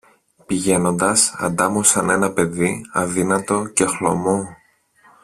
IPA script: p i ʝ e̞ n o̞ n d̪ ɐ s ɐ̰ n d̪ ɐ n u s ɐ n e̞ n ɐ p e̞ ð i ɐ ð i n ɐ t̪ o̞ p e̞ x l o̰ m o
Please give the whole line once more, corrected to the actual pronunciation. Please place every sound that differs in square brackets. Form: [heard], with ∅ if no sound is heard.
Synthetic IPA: p i ʝ e̞ n o̞ n d̪ ɐ s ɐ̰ n d̪ ɐ [m] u s ɐ n e̞ n ɐ p e̞ ð i ɐ ð i n ɐ t̪ o̞ [c] e̞ x l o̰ m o